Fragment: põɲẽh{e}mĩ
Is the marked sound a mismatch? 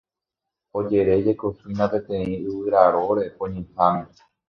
yes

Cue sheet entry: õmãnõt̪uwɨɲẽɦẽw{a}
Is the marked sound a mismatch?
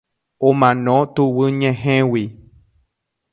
yes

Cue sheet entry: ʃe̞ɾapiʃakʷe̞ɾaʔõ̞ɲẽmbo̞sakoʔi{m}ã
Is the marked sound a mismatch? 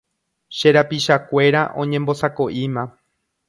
no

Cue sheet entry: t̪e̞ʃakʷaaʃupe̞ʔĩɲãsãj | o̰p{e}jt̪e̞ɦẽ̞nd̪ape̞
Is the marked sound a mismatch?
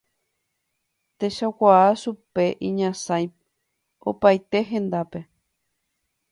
yes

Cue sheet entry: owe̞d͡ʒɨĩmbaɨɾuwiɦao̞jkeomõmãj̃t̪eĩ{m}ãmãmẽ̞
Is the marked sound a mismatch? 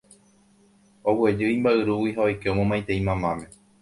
no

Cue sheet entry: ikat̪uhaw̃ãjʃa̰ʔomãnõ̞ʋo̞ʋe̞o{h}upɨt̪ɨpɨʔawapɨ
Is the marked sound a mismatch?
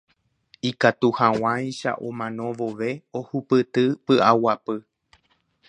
no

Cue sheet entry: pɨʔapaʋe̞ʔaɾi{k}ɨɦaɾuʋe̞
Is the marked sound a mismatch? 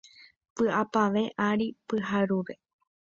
yes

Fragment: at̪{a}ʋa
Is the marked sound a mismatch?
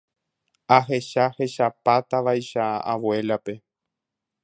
no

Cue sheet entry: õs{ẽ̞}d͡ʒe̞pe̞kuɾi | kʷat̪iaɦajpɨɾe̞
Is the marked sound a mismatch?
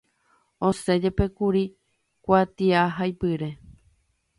yes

